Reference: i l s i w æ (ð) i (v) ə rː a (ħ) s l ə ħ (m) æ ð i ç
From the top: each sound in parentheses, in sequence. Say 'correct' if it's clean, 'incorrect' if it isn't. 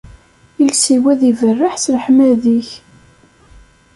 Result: correct, correct, correct, correct

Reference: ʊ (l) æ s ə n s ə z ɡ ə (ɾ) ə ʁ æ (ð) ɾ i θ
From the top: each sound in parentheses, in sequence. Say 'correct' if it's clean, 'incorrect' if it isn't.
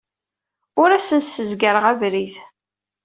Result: incorrect: ɾ, correct, incorrect: v

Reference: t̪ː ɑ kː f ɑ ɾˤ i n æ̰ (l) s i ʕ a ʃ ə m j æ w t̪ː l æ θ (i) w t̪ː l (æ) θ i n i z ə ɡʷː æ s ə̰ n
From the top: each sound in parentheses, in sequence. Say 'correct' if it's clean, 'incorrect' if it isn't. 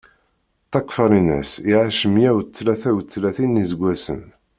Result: incorrect: none, incorrect: æ, correct

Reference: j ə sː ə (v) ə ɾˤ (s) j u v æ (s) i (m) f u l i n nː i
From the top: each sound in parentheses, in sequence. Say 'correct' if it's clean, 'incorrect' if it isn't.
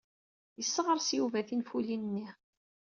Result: incorrect: ʁ, correct, incorrect: θ, incorrect: n

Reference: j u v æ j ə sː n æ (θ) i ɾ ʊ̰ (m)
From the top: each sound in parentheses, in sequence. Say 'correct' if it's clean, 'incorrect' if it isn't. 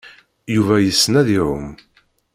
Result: incorrect: ð, correct

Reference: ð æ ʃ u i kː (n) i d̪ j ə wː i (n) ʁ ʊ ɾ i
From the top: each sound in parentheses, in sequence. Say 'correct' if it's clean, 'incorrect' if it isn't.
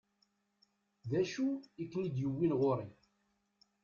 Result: correct, correct

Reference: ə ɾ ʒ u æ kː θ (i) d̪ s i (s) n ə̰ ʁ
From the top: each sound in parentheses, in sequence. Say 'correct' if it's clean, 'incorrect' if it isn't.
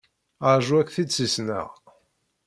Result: correct, correct

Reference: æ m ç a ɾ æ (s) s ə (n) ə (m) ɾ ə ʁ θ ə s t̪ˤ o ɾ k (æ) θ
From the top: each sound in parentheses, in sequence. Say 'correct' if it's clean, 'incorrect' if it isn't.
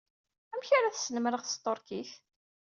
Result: incorrect: θ, correct, correct, incorrect: i

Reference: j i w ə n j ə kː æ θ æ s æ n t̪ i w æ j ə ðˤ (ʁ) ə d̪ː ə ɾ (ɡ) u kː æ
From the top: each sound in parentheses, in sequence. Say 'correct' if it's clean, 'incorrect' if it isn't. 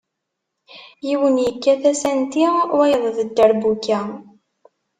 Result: incorrect: ð, incorrect: b

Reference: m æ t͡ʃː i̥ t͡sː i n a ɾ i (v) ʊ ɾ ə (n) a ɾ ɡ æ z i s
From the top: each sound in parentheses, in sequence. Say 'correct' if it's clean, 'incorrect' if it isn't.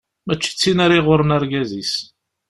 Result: incorrect: ʁ, correct

